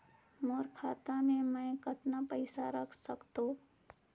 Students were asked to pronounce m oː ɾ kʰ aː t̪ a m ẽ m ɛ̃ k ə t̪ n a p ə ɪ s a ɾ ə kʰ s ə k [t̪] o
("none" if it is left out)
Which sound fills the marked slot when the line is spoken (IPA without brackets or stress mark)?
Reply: t̪